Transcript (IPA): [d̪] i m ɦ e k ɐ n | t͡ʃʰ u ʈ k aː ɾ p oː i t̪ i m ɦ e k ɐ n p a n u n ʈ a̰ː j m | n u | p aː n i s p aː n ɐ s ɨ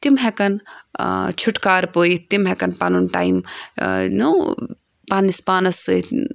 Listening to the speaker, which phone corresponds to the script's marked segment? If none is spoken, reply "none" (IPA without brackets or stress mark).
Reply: t̪